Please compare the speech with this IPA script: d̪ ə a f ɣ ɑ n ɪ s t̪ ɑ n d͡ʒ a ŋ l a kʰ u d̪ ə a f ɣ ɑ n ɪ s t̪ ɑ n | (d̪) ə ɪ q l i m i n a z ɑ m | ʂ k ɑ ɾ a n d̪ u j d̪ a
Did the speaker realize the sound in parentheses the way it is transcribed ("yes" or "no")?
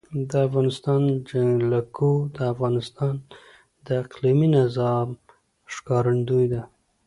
yes